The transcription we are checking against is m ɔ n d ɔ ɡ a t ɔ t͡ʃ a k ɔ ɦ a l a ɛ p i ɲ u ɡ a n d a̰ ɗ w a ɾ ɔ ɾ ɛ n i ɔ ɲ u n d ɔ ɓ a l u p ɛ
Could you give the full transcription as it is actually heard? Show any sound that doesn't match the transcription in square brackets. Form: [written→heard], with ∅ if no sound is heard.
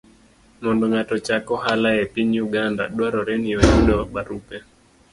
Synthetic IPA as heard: m ɔ n d ɔ [ɡ→ŋ] a t ɔ t͡ʃ a k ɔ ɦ a l a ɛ p i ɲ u ɡ a n d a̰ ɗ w a ɾ ɔ ɾ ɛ n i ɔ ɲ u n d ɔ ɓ a [l→ɾ] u p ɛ